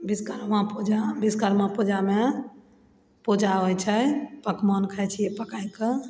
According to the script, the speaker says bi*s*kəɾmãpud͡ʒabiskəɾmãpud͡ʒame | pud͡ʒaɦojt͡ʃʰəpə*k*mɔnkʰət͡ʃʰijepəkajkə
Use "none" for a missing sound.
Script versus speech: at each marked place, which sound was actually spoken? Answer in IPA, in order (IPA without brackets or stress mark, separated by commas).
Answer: s, k